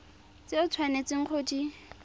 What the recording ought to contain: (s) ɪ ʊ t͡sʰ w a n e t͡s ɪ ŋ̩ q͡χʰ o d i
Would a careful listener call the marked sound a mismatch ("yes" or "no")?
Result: yes